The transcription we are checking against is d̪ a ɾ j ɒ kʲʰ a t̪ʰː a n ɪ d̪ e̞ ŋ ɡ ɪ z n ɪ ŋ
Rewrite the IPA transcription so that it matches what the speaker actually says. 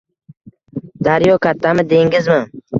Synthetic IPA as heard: d̪ a ɾ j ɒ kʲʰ a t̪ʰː a m ɪ d̪ e̞ ŋ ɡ ɪ z m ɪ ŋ